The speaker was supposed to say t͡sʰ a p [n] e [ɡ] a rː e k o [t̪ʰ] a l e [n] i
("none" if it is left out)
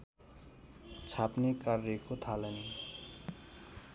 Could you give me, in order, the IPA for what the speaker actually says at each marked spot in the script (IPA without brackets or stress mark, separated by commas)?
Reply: n, k, t̪ʰ, n